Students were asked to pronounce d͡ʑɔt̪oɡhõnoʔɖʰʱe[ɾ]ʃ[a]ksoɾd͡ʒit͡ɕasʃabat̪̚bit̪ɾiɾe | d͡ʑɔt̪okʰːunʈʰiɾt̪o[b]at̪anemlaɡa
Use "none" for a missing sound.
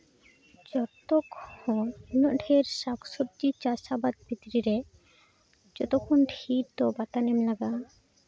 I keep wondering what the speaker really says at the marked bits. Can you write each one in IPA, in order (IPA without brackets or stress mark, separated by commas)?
ɾ, a, b